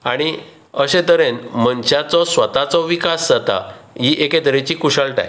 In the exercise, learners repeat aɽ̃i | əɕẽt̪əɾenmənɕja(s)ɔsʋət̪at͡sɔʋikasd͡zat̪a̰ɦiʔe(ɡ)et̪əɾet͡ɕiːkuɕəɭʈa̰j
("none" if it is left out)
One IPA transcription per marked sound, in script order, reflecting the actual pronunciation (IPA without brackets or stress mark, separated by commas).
t͡s, k